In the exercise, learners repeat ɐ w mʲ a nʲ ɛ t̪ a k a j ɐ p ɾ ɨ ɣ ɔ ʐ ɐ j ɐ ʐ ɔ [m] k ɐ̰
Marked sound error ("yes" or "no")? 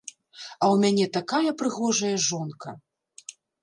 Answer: yes